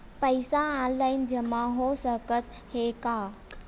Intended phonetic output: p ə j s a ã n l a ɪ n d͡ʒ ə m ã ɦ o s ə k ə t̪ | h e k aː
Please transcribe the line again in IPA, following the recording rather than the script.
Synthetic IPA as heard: p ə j s a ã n l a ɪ n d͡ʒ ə m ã ɦ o s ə k ə t̪ | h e k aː